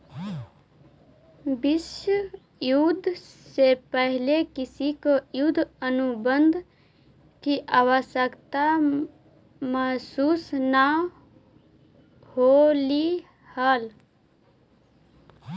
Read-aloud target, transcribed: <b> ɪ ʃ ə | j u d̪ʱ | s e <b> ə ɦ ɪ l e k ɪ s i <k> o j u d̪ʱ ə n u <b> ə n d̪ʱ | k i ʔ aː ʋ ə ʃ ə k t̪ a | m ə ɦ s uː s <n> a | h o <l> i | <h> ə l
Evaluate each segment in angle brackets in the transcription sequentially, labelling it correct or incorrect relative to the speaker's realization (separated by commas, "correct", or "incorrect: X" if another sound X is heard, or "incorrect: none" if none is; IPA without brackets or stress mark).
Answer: correct, incorrect: p, correct, correct, correct, correct, correct